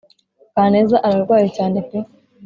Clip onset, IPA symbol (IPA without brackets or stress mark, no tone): k